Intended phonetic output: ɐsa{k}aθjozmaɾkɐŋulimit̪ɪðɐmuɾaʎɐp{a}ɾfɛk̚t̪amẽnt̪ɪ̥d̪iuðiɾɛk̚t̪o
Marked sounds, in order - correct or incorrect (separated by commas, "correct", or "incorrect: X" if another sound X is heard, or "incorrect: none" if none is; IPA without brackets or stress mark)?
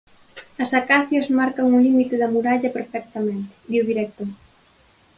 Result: correct, incorrect: e